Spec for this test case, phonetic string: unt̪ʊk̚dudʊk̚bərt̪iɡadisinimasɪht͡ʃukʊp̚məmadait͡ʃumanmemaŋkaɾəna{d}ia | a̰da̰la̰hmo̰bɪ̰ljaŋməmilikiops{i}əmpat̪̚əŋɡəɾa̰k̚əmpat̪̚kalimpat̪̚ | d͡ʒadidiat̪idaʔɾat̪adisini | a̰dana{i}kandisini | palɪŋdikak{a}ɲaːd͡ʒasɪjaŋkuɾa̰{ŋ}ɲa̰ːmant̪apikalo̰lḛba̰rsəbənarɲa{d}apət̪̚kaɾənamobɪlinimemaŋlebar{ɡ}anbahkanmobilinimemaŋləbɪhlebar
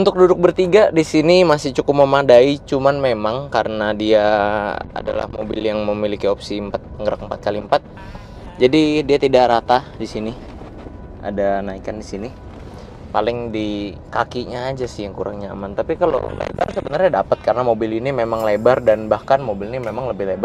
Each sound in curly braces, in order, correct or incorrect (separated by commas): correct, correct, correct, incorrect, correct, correct, incorrect